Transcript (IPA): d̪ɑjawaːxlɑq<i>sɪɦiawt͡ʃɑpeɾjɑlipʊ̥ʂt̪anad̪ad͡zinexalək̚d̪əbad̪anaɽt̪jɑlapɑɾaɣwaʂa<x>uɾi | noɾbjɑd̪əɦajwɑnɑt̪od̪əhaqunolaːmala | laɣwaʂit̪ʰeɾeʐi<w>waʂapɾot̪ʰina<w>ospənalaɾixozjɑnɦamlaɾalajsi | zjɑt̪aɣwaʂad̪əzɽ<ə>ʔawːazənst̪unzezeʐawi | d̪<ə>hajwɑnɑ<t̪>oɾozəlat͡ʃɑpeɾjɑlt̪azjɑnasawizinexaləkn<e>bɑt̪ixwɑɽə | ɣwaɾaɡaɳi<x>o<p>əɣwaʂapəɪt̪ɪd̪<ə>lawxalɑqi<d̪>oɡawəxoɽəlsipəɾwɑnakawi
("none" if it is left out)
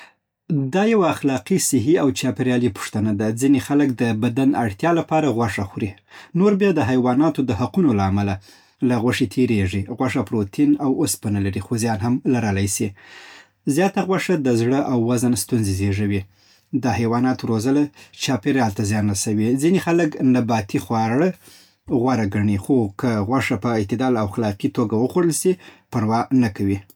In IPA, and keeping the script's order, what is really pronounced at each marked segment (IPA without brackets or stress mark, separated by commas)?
i, x, ɣ, w, ə, ɑ, t̪, a, x, k, ɑ, t̪